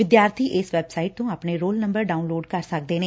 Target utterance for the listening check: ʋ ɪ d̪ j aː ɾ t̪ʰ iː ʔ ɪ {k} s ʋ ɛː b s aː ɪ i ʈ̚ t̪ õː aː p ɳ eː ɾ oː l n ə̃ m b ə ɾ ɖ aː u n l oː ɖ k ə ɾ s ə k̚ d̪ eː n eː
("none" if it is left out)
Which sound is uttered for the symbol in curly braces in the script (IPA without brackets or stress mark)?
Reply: none